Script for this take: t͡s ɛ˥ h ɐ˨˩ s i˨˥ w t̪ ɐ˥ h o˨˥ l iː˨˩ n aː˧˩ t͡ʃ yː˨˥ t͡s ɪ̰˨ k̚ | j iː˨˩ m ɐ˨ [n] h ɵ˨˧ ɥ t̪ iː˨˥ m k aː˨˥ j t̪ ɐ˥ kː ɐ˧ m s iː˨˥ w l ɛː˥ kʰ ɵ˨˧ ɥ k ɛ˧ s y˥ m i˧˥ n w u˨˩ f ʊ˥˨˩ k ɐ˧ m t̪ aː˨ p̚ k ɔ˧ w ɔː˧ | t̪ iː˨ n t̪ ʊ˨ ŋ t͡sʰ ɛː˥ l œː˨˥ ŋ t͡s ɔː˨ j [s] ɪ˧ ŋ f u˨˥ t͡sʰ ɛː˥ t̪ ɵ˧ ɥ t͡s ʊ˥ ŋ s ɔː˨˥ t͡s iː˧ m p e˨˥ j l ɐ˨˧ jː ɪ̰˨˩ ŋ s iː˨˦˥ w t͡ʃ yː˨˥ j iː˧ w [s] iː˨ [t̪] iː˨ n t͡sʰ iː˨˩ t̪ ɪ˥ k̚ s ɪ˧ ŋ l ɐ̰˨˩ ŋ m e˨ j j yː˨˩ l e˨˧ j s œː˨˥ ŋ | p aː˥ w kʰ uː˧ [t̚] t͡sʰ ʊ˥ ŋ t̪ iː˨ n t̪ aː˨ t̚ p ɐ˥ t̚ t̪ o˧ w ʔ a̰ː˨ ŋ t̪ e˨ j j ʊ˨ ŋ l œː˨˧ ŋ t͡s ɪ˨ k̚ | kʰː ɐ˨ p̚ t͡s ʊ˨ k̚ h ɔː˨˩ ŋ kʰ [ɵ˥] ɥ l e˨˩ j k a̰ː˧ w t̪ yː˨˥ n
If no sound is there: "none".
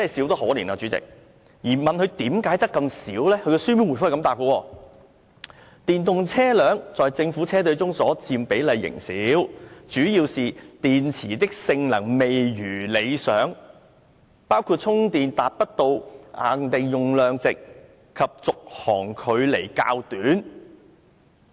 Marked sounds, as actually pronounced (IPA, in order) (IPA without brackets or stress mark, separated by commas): n, t͡s, s, t̪, t̚, ɵ˨˧